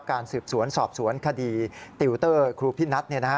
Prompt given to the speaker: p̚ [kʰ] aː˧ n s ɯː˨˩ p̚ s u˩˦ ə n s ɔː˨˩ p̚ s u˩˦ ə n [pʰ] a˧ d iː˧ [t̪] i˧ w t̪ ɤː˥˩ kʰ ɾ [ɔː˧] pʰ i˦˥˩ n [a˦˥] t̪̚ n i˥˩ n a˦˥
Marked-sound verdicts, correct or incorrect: incorrect: k, incorrect: kʰ, correct, incorrect: uː˧, correct

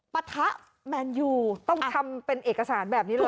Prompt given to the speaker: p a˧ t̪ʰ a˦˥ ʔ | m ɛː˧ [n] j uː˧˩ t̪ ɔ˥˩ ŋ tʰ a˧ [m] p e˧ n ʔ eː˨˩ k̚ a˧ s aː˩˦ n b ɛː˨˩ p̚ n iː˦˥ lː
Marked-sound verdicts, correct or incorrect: correct, correct

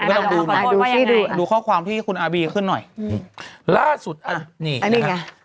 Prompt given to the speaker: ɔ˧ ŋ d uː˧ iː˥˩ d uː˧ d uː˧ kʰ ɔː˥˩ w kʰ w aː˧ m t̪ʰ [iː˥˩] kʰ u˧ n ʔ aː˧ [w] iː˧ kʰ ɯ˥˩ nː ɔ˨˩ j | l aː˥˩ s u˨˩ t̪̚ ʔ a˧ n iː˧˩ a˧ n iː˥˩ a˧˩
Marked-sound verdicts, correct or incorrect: correct, incorrect: b

